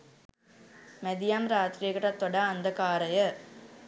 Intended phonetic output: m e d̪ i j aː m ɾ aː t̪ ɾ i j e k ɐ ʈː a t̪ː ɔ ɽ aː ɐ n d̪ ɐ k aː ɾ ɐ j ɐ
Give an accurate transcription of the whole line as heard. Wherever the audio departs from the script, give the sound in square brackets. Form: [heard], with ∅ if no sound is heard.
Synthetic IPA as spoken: m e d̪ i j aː m ɾ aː t̪ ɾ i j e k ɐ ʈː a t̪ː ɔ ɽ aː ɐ n d̪ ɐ k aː ɾ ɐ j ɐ